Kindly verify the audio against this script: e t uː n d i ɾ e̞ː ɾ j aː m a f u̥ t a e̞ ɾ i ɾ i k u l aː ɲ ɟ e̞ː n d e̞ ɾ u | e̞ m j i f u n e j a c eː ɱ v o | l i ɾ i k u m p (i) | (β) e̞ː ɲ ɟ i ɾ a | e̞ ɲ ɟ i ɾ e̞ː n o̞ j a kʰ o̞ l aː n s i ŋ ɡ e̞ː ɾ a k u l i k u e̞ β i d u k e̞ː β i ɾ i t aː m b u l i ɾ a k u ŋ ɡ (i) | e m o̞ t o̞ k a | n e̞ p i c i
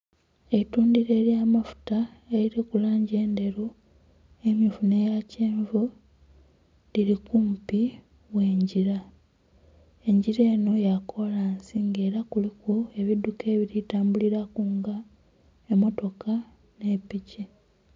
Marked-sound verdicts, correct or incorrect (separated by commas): correct, incorrect, incorrect